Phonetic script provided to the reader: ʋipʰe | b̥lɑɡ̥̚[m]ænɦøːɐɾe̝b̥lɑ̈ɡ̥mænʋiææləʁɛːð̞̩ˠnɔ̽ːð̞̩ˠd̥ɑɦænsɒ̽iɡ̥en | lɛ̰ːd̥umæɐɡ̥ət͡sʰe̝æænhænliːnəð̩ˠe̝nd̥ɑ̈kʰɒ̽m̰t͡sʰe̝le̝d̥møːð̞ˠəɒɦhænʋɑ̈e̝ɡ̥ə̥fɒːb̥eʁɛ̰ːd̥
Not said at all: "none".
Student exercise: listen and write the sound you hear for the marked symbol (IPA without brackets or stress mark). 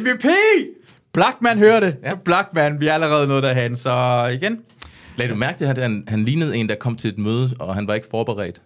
m